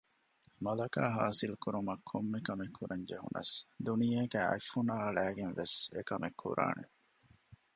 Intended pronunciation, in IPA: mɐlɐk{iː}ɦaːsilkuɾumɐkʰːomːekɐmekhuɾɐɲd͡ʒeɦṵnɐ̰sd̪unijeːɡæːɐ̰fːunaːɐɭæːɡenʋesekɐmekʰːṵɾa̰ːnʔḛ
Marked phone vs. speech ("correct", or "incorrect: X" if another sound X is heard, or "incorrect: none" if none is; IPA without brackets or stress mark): incorrect: aː